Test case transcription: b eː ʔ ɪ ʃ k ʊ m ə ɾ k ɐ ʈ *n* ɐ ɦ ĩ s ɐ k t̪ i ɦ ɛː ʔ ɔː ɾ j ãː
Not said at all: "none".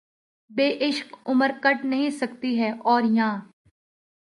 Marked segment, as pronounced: n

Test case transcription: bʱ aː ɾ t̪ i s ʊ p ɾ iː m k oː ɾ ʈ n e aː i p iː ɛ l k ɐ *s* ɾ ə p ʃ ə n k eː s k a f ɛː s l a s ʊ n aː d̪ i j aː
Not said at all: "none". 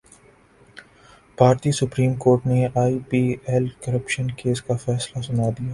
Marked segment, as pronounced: none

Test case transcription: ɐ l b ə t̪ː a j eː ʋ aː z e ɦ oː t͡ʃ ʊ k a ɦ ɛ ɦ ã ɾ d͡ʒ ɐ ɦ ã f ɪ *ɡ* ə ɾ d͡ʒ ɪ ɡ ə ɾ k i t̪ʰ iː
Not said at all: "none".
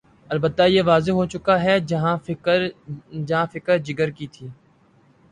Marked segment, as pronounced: k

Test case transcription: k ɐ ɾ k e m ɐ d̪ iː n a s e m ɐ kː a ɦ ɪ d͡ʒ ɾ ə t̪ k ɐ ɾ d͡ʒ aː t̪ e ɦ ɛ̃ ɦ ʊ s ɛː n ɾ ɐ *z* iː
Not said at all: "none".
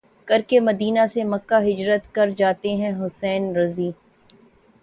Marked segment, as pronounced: z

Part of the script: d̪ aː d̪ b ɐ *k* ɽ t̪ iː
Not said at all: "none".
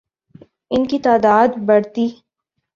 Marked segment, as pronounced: none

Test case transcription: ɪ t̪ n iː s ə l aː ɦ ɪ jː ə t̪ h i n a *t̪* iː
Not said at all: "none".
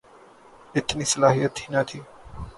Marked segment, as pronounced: t̪ʰ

